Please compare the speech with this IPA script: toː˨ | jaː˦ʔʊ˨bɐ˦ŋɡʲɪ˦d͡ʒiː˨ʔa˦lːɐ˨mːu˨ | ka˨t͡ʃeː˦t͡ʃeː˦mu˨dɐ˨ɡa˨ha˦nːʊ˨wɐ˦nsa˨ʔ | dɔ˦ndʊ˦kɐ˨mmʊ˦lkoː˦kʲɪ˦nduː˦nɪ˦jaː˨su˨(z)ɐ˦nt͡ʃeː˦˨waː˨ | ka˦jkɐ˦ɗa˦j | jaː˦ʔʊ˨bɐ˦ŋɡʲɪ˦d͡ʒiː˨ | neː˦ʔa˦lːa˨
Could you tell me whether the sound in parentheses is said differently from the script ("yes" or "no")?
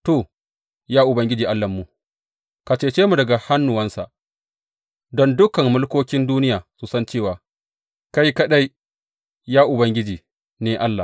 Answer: yes